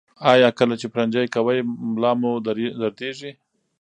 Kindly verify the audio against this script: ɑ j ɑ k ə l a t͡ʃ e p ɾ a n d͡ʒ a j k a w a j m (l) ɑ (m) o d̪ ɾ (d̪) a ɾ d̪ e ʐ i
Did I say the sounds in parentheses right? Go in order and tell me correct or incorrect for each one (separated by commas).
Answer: correct, correct, correct